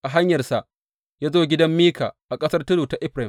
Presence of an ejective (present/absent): present